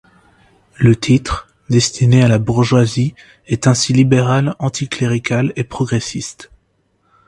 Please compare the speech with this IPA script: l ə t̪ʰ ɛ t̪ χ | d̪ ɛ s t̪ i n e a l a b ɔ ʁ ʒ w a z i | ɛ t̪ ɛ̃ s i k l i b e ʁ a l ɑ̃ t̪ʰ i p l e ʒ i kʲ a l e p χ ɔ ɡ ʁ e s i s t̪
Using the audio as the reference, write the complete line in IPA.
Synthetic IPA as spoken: l ə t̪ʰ i t̪ χ | d̪ ɛ s t̪ i n e a l a b u ʁ ʒ w a z i | ɛ t̪ ɛ̃ s i l i b e ʁ a l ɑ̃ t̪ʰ i k l e ʁ i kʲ a l e p χ ɔ ɡ ʁ e s i s t̪